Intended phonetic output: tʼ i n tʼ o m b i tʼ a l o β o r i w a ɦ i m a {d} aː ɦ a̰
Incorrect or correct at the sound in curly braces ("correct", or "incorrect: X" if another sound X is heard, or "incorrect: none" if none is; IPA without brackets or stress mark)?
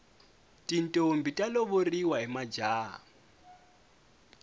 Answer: incorrect: d͡ʒ